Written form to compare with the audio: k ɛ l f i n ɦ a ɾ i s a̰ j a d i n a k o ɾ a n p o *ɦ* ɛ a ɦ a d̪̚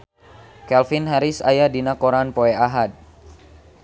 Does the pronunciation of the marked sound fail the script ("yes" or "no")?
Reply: yes